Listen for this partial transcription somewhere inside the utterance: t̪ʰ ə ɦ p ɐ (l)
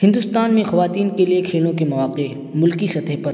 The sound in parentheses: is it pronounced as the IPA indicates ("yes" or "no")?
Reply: no